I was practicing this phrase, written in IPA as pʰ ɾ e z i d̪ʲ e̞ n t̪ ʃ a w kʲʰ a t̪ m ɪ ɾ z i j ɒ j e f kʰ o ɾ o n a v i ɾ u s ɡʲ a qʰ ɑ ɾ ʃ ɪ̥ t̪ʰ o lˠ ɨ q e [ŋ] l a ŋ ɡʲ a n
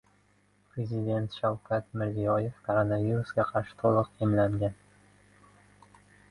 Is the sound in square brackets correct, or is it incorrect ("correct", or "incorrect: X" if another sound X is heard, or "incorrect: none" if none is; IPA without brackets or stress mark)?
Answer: incorrect: m